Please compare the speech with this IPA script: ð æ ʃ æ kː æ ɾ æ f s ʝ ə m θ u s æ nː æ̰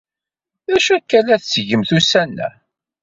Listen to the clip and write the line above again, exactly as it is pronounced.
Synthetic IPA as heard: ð æ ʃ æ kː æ l æ θ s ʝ ə m θ u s æ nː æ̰